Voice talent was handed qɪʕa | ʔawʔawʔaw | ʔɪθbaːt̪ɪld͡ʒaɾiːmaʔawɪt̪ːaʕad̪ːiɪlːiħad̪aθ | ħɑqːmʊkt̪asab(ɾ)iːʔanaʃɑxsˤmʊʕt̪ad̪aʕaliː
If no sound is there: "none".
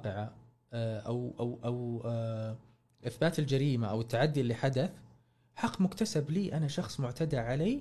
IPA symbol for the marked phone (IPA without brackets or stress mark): l